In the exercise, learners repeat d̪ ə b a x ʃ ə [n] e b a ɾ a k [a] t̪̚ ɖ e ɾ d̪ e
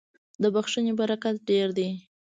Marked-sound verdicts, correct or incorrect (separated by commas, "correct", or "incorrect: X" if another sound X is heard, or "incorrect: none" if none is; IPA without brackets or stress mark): correct, correct